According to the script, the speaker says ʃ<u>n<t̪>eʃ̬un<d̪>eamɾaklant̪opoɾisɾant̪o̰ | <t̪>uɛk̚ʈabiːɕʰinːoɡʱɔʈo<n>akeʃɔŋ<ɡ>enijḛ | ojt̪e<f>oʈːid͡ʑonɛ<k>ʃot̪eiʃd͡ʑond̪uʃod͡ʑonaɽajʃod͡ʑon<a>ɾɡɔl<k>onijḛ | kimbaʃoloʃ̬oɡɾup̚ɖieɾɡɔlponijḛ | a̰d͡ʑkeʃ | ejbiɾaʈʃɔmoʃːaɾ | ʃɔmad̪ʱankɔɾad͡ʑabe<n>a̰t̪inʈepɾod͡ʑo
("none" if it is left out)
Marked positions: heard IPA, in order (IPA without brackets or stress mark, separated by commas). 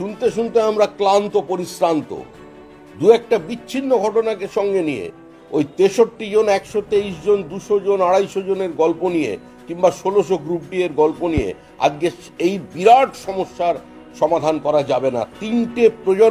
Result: u, t̪, t̪, d̪, n, ɡ, ʃ, k, e, p, n